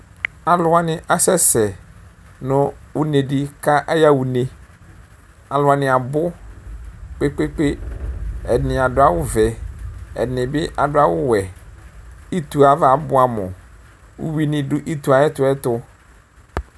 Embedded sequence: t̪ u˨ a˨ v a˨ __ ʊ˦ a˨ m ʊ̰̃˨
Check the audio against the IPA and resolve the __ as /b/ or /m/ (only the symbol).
b